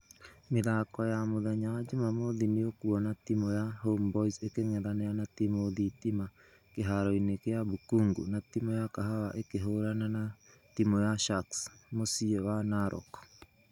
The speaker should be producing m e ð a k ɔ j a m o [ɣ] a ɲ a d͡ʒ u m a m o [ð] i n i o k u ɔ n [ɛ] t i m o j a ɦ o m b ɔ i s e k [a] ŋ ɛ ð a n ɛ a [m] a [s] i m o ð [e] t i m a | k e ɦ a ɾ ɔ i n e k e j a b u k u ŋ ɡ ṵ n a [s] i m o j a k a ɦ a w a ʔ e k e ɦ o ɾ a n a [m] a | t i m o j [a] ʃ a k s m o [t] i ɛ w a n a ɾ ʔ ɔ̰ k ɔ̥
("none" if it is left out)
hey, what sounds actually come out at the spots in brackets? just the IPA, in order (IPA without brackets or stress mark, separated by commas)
ð, ð, a, e, n, t, i, t, n, a, s